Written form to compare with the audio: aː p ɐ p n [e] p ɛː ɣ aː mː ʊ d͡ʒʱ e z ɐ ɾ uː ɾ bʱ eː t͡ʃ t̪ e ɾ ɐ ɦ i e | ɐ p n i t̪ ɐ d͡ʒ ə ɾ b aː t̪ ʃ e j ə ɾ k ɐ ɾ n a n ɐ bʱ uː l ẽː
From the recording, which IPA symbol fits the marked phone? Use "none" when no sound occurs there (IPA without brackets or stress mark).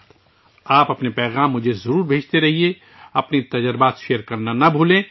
e